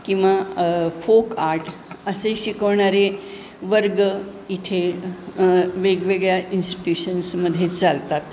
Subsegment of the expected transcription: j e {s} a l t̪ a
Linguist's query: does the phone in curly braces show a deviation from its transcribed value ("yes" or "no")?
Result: yes